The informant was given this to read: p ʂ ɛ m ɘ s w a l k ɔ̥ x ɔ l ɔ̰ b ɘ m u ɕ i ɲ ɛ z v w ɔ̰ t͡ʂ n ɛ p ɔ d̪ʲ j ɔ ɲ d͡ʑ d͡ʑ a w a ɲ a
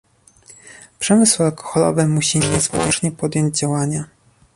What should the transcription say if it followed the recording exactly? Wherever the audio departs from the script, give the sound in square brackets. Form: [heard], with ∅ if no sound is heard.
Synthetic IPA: p ʂ ɛ m ɘ s w a l k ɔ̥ x ɔ l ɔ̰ [v] ɘ m u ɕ i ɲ ɛ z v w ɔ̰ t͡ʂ [ɲ] ɛ p ɔ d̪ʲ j ɔ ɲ d͡ʑ d͡ʑ a w a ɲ a